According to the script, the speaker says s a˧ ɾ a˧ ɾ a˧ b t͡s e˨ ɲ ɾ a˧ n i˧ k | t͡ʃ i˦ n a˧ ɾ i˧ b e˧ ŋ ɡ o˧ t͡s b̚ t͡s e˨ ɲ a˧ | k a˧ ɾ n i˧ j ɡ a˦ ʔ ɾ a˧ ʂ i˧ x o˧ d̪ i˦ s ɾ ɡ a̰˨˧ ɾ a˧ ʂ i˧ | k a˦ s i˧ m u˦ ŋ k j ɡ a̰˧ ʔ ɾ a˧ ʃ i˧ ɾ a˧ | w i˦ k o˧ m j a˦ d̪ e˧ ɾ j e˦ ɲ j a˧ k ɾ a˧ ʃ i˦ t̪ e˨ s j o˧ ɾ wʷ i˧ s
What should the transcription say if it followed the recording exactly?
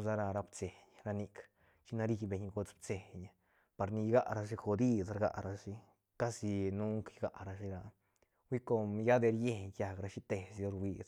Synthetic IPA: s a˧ ɾ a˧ ɾ a˧ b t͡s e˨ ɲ ɾ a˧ n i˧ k | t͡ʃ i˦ n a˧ ɾ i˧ b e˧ ɲ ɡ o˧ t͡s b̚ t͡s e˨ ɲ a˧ | p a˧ ɾ n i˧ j ɡ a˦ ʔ ɾ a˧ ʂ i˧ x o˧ d̪ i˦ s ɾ ɡ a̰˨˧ ɾ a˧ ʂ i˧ | k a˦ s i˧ n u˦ ŋ k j ɡ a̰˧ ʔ ɾ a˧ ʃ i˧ ɾ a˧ | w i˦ k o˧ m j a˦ d̪ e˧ ɾ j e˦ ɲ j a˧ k ɾ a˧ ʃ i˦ t̪ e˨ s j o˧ ɾ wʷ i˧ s

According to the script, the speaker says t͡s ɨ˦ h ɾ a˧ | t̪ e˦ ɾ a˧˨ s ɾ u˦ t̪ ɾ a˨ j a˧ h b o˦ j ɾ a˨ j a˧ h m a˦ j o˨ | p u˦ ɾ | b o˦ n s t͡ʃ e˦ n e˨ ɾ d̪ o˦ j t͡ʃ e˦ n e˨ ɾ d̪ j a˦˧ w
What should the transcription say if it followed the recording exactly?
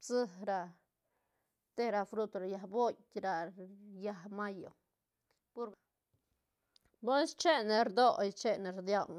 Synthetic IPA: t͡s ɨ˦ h ɾ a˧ | t̪ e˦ ɾ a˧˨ f ɾ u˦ t̪ ɾ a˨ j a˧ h b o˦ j ɾ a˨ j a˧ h m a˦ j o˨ | p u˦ ɾ | b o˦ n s t͡ʃ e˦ n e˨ ɾ d̪ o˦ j t͡ʃ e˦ n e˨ ɾ d̪ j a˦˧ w

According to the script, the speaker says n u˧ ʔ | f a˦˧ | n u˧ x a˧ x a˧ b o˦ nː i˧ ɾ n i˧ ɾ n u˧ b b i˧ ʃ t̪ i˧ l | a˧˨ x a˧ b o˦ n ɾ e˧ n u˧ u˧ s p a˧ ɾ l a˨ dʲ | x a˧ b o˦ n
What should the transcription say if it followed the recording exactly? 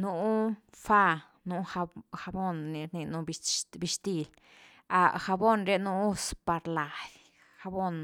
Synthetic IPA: n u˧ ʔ | f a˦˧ | n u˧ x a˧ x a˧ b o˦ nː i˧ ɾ n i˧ n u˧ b b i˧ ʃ t̪ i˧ l | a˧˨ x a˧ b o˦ n ɾ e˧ n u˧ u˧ s p a˧ ɾ l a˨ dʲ | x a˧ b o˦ n

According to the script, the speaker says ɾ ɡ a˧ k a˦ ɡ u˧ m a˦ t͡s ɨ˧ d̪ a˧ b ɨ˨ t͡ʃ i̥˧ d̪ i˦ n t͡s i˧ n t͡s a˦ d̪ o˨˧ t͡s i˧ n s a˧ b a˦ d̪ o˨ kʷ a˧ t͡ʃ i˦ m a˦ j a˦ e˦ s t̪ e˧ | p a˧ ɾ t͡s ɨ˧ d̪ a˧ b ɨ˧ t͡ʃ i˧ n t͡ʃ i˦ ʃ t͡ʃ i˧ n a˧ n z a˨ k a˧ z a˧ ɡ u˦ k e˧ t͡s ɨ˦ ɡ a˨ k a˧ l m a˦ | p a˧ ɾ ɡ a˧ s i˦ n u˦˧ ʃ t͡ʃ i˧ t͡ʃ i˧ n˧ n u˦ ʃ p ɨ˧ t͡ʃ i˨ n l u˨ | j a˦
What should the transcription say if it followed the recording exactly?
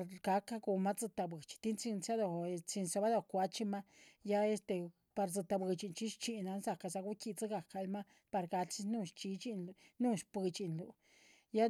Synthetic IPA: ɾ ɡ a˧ k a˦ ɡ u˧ m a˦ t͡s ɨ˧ t̪ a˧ b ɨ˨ t͡ʃ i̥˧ t̪ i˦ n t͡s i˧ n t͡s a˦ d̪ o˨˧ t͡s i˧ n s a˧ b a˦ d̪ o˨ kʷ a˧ t͡ʃ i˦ m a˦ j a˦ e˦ s t̪ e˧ | p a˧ ɾ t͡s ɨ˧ t̪ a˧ b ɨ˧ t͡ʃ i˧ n t͡ʃ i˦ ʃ t͡ʃ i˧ n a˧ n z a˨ k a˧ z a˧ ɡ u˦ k i˧ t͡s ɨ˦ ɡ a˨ k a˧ l m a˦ | p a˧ ɾ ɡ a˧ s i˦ n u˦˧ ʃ t͡ʃ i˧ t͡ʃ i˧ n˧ n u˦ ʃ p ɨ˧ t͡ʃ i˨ n l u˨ | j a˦

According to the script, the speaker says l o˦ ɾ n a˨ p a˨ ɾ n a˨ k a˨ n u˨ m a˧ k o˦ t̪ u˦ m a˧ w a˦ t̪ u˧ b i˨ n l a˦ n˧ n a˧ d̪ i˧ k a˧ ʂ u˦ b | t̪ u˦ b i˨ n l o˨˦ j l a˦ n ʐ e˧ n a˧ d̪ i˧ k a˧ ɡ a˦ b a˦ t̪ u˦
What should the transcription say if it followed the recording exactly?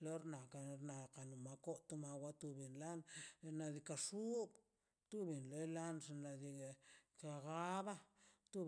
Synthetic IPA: l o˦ ɾ n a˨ k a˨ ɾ n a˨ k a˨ n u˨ m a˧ k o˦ t̪ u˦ m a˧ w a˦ t̪ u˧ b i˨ n l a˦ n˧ n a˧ d̪ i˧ k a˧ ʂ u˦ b | t̪ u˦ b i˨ n l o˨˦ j l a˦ n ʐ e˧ n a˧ d̪ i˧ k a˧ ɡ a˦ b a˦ t̪ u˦

